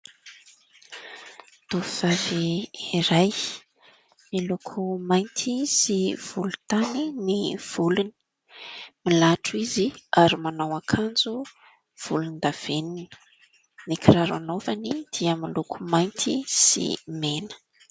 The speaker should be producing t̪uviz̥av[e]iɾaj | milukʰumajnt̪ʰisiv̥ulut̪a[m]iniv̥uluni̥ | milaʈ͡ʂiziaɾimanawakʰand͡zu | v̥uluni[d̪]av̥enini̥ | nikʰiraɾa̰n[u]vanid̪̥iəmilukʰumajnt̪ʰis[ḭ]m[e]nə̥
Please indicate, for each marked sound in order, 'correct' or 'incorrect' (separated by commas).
incorrect, incorrect, correct, incorrect, correct, correct